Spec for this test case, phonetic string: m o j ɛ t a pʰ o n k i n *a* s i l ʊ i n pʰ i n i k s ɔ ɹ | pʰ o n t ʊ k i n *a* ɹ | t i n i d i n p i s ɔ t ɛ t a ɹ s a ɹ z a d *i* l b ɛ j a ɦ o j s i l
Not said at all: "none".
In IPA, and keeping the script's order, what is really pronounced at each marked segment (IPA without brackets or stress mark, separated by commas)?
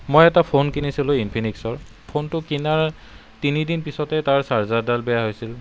i, a, a